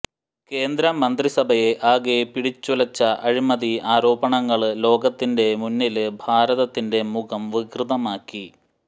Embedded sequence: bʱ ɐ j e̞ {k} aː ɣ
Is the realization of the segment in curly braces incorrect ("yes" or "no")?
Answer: yes